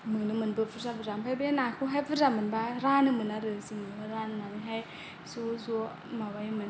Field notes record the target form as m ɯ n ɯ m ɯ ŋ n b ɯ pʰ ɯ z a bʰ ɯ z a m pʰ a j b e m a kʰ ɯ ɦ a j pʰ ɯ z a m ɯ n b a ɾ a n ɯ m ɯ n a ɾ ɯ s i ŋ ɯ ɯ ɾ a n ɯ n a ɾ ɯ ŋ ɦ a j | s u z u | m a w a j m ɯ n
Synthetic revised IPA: m ɯ n ɯ m ɯ n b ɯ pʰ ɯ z a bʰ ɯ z a m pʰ a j b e n a kʰ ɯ ɦ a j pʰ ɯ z a m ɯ n b a ɾ a n ɯ m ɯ n a ɾ ɯ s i ŋ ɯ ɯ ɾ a n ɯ n a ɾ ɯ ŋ ɦ a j | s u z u | m a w a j m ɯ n

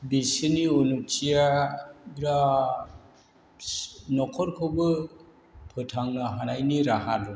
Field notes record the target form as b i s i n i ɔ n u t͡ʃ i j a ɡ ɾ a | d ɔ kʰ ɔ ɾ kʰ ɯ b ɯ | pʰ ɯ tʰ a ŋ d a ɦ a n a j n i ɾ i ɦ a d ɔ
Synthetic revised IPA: b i s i n i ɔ n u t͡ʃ i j a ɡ ɾ a | n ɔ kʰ ɔ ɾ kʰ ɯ b ɯ | pʰ ɯ tʰ a ŋ n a ɦ a n a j n i ɾ a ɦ a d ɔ

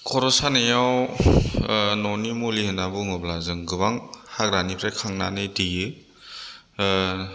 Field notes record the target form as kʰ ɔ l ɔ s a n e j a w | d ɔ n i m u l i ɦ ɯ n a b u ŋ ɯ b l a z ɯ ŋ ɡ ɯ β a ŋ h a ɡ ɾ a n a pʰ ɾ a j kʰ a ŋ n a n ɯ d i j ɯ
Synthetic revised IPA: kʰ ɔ ɾ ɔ s a n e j a w | n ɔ n i m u l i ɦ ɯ n a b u ŋ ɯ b l a z ɯ ŋ ɡ ɯ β a ŋ h a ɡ ɾ a n i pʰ ɾ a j kʰ a ŋ n a n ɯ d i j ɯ

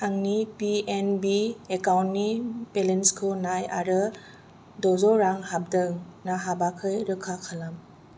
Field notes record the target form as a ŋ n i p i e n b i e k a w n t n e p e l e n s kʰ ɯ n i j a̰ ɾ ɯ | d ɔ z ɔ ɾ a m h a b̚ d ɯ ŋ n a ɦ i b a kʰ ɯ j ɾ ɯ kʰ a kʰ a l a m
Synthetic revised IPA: a ŋ n i p i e n b i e k a w n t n i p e l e n s kʰ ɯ n a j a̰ ɾ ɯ | d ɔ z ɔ ɾ a ŋ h a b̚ d ɯ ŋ n a ɦ a b a kʰ ɯ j ɾ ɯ kʰ a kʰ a l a m

